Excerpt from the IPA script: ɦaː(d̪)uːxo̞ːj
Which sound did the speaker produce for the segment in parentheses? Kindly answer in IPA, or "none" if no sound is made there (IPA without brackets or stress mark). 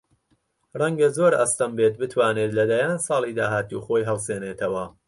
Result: t̪